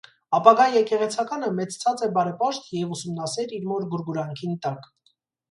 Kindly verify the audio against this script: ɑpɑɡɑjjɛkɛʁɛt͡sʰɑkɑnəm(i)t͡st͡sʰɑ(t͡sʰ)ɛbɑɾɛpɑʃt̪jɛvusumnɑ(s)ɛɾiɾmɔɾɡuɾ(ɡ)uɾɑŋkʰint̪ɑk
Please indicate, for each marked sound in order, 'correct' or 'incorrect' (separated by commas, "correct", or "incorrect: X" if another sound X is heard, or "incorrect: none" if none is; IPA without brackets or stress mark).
incorrect: ɛ, incorrect: t͡s, correct, correct